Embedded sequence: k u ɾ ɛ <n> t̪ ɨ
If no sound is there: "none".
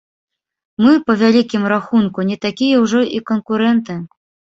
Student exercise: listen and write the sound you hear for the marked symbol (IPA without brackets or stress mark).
n